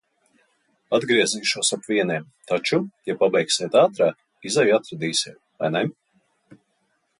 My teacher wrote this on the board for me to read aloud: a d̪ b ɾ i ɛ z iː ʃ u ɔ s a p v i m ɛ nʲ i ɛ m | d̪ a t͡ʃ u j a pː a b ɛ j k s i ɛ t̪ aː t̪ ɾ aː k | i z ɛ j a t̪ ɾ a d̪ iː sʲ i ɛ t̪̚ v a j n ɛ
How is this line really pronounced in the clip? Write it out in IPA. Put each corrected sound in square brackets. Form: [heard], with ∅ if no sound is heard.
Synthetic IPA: a d̪ [ɡ] ɾ i ɛ z iː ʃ u ɔ s a p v i [∅] ɛ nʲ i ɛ m | [t̪] a t͡ʃ u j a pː a b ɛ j k s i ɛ t̪ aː t̪ ɾ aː k | i z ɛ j a t̪ ɾ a d̪ iː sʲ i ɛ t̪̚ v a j n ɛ